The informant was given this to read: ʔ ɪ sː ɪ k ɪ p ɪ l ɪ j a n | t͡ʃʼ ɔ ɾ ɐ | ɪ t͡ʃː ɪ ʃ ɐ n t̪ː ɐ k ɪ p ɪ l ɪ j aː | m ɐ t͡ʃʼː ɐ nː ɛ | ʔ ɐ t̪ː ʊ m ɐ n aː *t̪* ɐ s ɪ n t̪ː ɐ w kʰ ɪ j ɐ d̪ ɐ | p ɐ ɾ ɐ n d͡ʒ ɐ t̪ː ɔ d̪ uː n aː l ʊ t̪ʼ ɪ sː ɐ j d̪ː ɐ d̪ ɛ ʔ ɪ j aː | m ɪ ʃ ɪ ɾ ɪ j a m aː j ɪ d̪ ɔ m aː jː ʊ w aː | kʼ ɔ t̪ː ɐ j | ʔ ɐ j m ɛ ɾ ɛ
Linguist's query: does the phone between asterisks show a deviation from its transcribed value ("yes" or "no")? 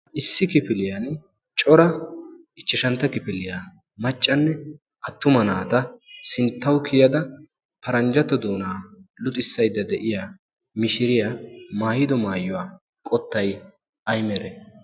no